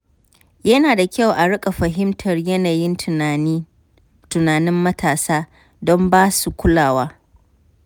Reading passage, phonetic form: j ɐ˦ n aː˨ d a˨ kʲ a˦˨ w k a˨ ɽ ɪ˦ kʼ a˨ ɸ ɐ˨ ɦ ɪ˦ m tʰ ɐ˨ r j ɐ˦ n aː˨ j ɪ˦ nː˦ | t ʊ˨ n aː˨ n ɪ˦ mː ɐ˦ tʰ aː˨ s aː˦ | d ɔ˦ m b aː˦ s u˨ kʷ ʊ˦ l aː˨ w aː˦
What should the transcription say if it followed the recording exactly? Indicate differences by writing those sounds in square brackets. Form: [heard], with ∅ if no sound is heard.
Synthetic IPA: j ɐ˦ n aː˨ d a˨ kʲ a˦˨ w [ʔ] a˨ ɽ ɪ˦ kʼ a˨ ɸ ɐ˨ ɦ ɪ˦ m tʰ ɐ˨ r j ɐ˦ n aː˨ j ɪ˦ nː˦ | t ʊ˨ n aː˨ n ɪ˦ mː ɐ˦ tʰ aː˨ s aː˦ | d ɔ˦ m b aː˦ s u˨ kʷ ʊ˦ l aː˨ w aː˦